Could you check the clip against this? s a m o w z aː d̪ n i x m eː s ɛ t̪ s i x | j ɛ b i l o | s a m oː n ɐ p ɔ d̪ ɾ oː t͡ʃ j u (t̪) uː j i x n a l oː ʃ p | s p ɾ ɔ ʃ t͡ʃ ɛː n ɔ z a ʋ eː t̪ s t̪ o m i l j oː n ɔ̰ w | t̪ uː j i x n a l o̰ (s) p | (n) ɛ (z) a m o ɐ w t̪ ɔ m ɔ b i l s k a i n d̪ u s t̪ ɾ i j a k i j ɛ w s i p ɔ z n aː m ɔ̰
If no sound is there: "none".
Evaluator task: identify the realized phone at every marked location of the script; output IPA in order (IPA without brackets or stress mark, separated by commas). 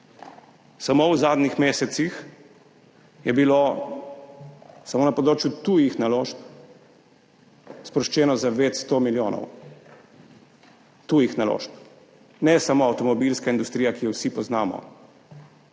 t̪, ʃ, n, s